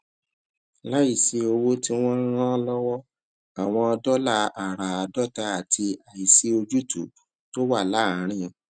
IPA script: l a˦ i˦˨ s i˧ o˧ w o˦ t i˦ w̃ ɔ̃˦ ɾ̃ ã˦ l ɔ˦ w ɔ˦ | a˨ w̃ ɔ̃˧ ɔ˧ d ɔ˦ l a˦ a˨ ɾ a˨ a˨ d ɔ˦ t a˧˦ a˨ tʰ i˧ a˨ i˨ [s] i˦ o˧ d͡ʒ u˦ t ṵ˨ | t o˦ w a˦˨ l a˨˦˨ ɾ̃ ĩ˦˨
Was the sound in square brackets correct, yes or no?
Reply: yes